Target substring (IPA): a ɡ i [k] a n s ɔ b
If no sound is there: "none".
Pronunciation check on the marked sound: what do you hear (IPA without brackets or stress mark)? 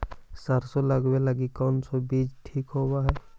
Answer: k